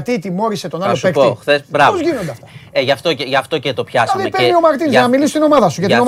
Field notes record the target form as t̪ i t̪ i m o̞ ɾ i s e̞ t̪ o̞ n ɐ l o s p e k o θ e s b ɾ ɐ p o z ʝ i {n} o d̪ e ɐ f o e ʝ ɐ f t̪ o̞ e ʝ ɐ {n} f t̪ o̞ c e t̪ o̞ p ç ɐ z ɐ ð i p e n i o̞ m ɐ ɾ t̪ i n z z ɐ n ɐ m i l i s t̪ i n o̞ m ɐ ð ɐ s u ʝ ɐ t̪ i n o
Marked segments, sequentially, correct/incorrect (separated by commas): correct, incorrect